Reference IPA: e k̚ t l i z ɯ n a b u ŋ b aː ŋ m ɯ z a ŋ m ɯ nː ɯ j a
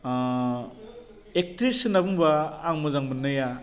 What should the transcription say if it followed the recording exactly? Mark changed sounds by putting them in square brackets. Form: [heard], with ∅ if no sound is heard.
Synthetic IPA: e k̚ t [ɾ] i [s] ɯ n a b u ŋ b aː ŋ m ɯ z a ŋ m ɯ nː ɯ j a